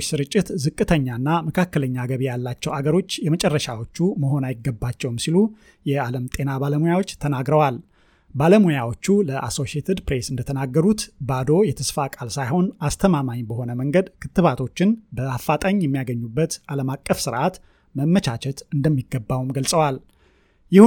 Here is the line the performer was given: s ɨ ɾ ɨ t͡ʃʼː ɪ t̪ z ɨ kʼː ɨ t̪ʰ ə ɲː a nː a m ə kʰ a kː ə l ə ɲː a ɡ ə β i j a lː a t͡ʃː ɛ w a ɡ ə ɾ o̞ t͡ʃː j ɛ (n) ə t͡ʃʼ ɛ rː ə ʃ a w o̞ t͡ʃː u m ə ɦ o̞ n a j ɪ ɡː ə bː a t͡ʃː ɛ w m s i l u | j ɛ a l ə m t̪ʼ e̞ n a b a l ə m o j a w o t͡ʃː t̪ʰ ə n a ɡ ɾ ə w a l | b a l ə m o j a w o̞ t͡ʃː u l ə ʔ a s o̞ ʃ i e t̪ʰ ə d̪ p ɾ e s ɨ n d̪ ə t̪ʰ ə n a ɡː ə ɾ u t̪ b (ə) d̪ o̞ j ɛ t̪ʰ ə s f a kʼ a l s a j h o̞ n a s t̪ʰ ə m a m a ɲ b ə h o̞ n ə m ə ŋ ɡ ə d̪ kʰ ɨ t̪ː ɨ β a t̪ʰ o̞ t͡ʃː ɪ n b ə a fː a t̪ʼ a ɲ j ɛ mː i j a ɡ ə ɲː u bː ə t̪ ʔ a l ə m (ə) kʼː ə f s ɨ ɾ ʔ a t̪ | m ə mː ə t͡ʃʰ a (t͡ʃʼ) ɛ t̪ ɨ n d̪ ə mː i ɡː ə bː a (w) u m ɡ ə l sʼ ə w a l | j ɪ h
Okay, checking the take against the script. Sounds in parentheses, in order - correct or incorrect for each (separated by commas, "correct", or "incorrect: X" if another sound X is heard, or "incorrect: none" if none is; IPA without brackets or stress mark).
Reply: incorrect: m, incorrect: a, incorrect: a, incorrect: t͡ʃ, correct